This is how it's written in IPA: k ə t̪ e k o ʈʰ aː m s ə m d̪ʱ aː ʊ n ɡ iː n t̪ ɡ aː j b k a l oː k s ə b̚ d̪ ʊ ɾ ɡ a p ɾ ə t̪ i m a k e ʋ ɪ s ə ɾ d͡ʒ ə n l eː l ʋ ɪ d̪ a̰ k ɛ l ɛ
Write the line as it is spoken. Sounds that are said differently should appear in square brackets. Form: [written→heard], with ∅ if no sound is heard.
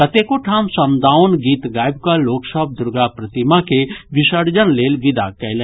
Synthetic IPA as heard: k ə t̪ e k o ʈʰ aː m s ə m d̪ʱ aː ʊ n ɡ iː [n→∅] t̪ ɡ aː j b k a l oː k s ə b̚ d̪ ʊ ɾ ɡ a p ɾ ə t̪ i m a k e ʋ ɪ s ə ɾ d͡ʒ ə n l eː l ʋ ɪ d̪ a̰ k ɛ l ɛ